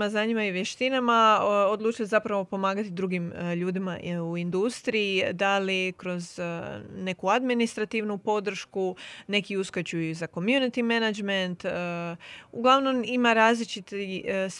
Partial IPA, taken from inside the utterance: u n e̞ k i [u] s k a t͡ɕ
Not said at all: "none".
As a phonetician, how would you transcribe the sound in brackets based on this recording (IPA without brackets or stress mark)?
u